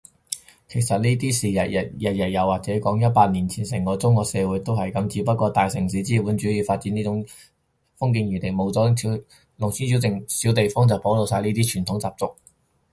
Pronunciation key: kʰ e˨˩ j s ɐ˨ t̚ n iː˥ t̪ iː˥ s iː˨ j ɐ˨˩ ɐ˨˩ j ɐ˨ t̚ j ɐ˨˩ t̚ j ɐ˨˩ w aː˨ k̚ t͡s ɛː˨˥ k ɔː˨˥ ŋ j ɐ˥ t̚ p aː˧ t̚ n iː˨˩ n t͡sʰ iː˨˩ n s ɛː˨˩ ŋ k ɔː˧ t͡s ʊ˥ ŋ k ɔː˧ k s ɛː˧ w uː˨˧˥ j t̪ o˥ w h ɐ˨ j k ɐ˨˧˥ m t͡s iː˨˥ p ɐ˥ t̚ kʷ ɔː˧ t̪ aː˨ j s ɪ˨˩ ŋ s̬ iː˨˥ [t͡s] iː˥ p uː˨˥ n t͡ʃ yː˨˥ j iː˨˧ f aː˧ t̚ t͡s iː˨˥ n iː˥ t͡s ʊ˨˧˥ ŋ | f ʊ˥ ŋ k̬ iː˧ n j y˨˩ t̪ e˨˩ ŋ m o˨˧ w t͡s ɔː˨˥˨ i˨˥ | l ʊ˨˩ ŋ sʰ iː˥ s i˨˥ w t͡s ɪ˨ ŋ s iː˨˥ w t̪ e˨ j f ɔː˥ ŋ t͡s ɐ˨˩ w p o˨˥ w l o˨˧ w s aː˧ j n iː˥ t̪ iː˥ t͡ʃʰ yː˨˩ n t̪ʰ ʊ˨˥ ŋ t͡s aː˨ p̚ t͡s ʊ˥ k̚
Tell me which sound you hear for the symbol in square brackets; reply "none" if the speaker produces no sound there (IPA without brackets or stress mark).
t͡s